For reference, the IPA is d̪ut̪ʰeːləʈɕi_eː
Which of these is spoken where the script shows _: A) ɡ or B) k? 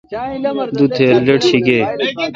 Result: A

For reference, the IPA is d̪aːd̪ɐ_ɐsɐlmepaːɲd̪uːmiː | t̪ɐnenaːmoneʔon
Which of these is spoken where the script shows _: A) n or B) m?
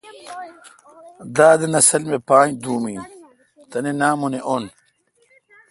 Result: A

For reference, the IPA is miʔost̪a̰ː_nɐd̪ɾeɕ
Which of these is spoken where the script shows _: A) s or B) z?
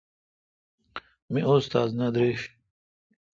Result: B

